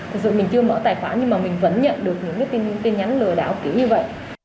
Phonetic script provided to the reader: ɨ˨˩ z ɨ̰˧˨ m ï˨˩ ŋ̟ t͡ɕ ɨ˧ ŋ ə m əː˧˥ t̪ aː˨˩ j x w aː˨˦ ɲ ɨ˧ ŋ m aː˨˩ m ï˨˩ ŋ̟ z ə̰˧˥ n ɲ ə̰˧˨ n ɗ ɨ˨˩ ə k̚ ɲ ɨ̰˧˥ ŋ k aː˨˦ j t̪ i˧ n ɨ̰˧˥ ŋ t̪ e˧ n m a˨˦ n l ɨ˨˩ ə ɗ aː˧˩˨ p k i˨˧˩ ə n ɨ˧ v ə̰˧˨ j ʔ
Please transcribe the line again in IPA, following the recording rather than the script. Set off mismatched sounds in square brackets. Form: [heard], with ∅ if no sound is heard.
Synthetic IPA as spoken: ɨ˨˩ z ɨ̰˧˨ m ï˨˩ ŋ̟ t͡ɕ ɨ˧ [∅] ə m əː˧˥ t̪ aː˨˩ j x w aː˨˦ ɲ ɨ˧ ŋ m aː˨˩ m ï˨˩ ŋ̟ [v] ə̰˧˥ n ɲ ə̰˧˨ n ɗ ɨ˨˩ ə k̚ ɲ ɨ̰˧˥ ŋ k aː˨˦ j t̪ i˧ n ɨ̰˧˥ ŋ t̪ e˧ n [ɲ] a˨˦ n l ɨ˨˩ ə ɗ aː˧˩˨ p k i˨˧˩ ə [ɲ] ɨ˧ v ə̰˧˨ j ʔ